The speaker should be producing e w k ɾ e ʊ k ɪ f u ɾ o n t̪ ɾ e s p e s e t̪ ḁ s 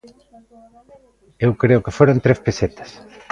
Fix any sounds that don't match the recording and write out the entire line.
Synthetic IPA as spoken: e w k ɾ e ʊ k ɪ f o ɾ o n t̪ ɾ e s p e s e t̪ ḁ s